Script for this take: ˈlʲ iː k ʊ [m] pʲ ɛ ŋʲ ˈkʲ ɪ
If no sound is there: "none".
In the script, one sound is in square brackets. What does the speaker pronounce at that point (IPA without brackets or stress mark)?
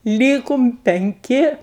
m